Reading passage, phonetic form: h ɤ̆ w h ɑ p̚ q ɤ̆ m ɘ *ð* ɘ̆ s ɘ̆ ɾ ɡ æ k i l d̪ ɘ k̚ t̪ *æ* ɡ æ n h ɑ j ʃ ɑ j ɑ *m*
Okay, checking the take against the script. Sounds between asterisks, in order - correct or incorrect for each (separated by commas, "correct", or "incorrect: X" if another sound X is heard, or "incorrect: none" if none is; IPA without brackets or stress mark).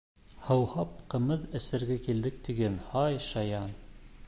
correct, incorrect: i, incorrect: n